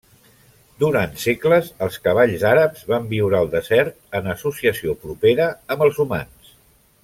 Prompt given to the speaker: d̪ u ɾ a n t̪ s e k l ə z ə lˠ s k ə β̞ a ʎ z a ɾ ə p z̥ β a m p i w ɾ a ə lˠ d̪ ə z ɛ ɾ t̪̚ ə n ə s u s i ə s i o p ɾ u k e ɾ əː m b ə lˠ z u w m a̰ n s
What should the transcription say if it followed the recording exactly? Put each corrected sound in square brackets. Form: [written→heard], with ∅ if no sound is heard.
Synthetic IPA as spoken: d̪ u ɾ a n t̪ s e k l ə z ə lˠ s k ə β̞ a ʎ z a ɾ ə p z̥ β a m [p→b] i w ɾ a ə lˠ d̪ ə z ɛ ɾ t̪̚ ə n ə s u s i ə s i o p ɾ u [k→p] e ɾ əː m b ə lˠ z u [w→∅] m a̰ n s